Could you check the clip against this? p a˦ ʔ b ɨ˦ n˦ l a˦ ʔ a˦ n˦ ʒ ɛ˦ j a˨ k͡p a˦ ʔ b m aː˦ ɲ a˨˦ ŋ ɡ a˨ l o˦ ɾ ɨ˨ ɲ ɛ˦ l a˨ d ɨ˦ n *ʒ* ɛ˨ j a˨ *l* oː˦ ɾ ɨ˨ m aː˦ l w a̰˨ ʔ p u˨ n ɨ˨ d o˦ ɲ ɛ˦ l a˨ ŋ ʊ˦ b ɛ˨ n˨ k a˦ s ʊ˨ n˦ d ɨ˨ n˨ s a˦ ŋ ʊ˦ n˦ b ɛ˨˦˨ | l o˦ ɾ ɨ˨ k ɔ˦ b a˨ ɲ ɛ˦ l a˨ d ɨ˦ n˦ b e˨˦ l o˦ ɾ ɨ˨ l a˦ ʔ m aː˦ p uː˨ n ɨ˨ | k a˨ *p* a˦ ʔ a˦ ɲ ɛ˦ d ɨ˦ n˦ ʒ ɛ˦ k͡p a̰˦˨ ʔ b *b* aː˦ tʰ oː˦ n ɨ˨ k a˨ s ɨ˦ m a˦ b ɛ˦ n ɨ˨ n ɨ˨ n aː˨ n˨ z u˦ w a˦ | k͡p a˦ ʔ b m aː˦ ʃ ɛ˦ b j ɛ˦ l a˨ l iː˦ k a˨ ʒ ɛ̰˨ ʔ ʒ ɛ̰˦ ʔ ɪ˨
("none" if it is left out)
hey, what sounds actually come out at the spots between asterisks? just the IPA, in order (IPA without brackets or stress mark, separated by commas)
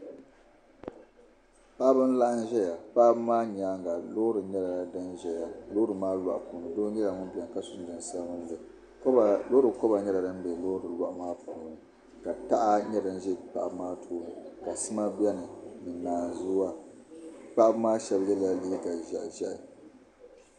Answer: ʒ, l, t, m